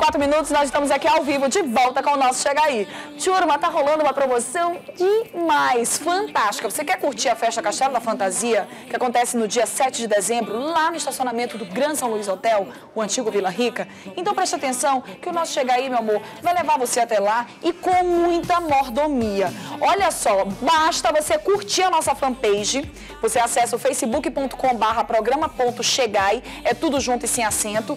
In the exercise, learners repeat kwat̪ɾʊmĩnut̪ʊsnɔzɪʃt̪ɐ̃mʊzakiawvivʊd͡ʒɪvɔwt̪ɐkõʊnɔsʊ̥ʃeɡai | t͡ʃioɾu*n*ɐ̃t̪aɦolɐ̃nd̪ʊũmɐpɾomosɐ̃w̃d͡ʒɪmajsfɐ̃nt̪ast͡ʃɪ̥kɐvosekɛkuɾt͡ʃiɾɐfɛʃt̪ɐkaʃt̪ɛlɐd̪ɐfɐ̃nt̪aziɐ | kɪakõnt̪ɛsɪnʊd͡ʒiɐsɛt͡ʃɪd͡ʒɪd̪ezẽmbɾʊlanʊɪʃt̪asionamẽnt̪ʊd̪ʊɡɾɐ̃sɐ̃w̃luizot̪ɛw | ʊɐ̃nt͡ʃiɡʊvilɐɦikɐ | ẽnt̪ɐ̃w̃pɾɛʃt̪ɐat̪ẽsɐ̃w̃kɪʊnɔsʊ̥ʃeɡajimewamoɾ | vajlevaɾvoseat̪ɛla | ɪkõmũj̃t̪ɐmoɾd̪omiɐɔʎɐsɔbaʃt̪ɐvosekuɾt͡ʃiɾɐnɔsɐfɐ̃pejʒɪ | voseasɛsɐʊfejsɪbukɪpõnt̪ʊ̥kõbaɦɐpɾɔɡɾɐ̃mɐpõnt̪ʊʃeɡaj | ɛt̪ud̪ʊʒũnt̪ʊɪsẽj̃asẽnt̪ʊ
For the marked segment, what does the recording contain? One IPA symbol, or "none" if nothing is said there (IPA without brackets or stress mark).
m